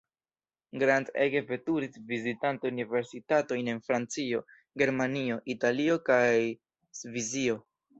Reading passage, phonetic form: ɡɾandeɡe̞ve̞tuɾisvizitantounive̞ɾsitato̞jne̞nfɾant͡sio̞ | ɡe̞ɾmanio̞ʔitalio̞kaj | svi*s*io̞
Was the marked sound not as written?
yes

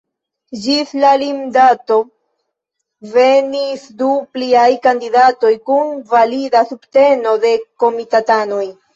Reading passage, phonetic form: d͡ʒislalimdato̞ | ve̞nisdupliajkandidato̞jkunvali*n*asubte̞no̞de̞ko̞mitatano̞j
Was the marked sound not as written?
yes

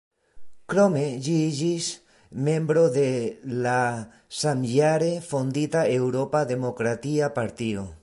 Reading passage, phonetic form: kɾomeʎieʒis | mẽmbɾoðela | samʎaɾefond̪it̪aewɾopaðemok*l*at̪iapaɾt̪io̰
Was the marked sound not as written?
yes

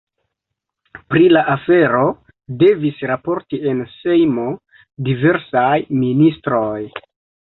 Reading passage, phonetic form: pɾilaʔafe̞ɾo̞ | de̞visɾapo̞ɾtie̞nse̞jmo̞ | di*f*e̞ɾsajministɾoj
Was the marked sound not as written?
yes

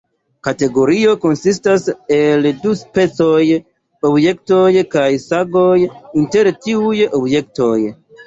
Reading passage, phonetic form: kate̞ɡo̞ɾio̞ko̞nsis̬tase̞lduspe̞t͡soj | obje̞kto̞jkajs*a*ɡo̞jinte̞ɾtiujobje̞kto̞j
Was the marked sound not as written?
no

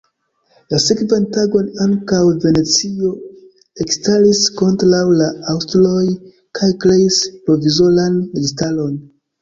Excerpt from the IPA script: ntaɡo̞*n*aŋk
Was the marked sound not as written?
no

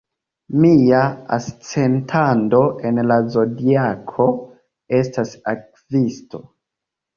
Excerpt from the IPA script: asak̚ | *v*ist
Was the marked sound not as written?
no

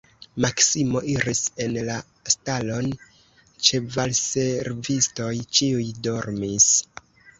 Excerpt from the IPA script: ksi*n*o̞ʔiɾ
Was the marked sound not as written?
yes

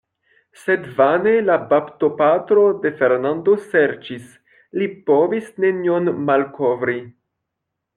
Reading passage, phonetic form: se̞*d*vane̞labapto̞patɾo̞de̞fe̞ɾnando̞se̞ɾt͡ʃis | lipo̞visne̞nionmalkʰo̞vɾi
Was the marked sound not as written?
no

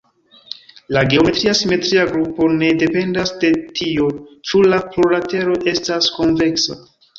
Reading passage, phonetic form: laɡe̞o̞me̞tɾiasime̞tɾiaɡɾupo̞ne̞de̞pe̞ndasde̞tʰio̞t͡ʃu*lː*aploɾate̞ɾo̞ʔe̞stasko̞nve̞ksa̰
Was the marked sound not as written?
yes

